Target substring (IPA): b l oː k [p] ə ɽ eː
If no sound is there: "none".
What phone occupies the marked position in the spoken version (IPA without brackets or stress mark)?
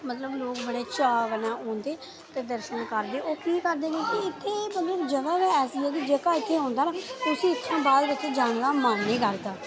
b